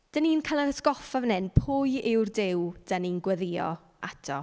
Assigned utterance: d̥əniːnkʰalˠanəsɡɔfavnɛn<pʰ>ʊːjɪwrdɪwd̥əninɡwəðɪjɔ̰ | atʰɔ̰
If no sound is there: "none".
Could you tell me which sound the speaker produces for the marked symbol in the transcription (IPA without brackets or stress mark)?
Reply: pʰ